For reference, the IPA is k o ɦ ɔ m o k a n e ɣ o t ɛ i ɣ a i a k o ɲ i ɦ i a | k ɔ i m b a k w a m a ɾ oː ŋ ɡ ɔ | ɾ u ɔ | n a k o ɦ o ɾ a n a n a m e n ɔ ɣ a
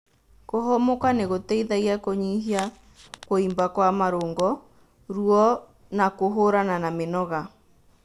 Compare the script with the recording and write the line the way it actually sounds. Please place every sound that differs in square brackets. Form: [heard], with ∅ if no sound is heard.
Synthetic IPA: k o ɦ ɔ m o k a n e ɣ o t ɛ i [ð] a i a k o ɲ i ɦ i a | k [o] i m b a k w a m a ɾ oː ŋ ɡ ɔ | ɾ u ɔ | n a k o ɦ o ɾ a n a n a m e n ɔ ɣ a